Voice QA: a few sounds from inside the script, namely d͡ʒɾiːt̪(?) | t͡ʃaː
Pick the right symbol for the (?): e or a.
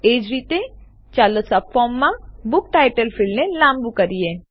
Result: e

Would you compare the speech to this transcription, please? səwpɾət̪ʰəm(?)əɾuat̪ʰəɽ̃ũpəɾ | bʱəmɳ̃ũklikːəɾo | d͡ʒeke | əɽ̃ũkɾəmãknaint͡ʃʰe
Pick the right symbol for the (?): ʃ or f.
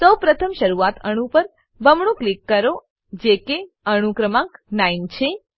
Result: ʃ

